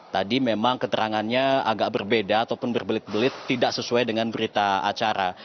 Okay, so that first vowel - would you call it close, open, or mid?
open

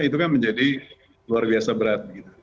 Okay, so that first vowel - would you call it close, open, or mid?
close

